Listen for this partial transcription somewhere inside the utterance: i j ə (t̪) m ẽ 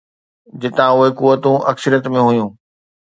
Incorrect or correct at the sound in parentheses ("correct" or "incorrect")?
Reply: correct